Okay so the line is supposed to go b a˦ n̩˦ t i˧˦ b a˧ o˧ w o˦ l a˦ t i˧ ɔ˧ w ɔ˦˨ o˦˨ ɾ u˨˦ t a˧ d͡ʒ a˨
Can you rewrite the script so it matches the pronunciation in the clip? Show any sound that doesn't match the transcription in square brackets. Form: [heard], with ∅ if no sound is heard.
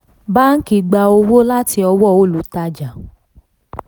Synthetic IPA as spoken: b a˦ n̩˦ [k] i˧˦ [ɡ͡b] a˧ o˧ w o˦ l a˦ t i˧ ɔ˧ w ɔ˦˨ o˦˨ [l] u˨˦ t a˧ d͡ʒ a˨